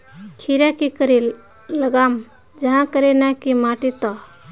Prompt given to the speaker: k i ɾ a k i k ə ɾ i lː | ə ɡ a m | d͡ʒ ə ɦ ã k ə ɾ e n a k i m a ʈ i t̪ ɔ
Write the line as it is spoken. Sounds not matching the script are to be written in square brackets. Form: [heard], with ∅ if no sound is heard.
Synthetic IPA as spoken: [kʰ] i ɾ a k i k ə ɾ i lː | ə ɡ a m | d͡ʒ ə ɦ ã k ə ɾ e n a k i m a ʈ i t̪ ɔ